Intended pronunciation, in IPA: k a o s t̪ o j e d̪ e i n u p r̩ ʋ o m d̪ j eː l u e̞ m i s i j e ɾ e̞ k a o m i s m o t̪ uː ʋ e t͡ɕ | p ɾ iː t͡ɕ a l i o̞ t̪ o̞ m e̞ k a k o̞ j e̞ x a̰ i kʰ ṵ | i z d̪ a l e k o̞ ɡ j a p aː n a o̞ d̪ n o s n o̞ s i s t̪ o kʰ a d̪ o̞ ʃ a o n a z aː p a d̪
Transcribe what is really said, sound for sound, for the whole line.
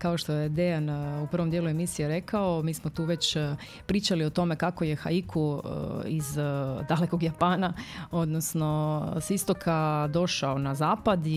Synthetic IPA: k a o ʃ t̪ o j e d̪ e a n u p r̩ ʋ o m d̪ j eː l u e̞ m i s i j e ɾ e̞ k a o m iː s m o t̪ uː ʋ e t͡ɕ | p ɾ iː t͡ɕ a l i o̞ t̪ o̞ m e̞ k a k o̞ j e̞ x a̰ i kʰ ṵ | i z d̪ a l e k o̞ ɡ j a p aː n a o̞ d̪ n o s n o̞ s i s t̪ o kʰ a d̪ o̞ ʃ a o n a z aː p a d̪